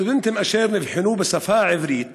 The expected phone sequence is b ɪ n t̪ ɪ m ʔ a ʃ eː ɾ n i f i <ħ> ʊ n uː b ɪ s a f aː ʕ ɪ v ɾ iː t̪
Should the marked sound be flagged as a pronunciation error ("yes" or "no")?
no